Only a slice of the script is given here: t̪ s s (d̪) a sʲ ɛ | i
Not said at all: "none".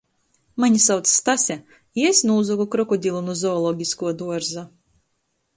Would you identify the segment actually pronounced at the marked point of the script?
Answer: t̪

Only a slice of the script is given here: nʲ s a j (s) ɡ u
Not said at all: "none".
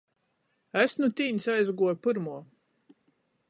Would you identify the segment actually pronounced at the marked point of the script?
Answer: z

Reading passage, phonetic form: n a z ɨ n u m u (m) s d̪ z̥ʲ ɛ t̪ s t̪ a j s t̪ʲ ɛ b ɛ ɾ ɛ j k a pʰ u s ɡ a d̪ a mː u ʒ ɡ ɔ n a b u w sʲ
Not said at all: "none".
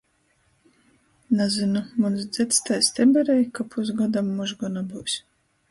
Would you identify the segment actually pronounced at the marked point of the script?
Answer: n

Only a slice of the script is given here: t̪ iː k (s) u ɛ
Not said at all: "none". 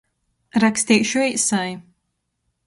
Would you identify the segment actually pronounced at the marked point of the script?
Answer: ʃ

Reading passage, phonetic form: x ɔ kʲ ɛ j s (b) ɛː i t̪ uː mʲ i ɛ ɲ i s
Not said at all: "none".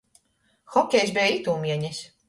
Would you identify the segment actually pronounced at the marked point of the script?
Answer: b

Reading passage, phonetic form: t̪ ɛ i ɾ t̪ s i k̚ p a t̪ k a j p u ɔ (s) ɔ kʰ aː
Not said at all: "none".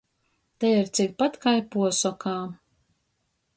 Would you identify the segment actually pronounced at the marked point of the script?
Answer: s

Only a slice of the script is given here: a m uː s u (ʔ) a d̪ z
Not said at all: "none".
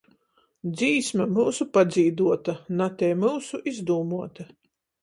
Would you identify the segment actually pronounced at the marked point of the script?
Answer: p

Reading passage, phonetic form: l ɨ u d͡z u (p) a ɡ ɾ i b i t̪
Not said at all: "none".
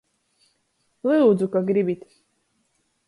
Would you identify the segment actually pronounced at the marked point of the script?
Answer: k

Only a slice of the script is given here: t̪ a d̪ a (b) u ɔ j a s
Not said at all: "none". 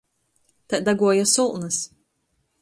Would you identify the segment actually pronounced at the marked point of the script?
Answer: ɡ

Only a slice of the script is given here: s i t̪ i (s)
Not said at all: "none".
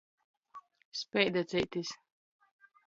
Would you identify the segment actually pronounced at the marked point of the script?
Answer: s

